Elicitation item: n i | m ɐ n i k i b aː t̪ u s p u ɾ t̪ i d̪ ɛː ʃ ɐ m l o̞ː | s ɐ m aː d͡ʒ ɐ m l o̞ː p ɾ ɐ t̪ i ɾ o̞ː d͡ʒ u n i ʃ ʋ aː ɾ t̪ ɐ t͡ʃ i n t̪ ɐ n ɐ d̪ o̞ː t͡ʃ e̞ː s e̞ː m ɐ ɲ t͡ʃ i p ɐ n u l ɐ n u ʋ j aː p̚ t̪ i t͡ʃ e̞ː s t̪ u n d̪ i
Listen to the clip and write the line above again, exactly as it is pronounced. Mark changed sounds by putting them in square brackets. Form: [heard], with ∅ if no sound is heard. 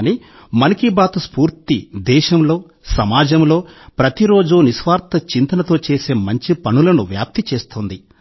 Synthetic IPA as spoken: n i | m ɐ n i k i b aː t̪ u s p [uː] ɾ t̪ i d̪ ɛː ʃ ɐ m l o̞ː | s ɐ m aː d͡ʒ ɐ m l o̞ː p ɾ ɐ t̪ i ɾ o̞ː d͡ʒ u n i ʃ ʋ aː ɾ t̪ ɐ t͡ʃ i n t̪ ɐ n ɐ [t̪] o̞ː t͡ʃ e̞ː s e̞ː m ɐ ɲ t͡ʃ i p ɐ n u l ɐ n u ʋ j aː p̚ t̪ i t͡ʃ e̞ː s t̪ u n d̪ i